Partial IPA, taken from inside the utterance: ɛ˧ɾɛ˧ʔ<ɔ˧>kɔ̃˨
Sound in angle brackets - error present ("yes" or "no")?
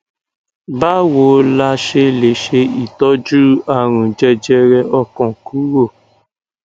no